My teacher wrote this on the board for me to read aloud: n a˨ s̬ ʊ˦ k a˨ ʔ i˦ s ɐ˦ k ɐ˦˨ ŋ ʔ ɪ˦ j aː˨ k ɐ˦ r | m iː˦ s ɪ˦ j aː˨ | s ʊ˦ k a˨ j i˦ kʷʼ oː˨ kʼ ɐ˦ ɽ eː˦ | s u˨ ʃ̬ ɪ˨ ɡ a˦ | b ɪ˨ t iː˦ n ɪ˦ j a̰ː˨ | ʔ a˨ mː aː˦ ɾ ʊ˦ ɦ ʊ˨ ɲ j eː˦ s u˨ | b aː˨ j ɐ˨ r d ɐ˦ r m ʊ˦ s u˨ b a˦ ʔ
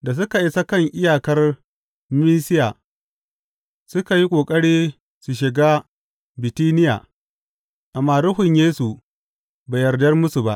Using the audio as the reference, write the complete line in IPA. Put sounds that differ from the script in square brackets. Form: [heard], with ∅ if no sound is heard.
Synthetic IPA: [d] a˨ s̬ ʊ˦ k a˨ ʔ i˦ s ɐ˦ k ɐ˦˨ ŋ ʔ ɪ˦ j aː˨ k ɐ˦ r | m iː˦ s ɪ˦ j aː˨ | s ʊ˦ k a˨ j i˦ kʷʼ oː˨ kʼ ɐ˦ ɽ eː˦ | s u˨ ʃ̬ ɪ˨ ɡ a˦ | b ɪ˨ t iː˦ n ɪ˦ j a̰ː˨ | ʔ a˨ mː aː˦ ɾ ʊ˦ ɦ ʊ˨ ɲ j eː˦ s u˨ | b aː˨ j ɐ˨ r d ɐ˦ r m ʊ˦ s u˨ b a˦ ʔ